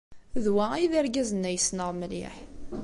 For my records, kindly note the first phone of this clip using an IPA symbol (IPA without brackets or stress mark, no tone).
ð